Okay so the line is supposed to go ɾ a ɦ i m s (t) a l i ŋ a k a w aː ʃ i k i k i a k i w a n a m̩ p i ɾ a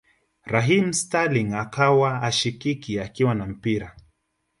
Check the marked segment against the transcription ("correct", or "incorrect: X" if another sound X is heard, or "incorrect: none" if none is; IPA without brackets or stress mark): correct